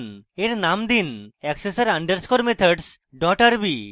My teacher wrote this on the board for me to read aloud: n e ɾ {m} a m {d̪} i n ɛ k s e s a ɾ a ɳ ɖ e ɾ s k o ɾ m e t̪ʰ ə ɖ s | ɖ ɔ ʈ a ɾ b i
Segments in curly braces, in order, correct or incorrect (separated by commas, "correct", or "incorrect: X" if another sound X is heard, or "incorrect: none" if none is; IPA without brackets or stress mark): incorrect: n, correct